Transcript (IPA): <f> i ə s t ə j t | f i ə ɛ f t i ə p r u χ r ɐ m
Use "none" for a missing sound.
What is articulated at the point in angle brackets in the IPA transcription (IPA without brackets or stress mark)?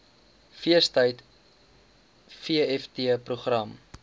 f